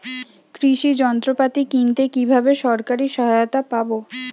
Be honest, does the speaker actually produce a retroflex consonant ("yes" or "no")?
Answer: no